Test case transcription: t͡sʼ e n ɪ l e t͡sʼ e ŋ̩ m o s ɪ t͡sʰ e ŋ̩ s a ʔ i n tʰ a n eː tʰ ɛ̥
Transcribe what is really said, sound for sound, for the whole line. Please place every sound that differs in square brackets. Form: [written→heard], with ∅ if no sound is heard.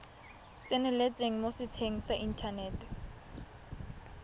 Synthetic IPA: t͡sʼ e n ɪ l e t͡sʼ e ŋ̩ m o s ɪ t͡sʰ e ŋ̩ s a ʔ i n tʰ a n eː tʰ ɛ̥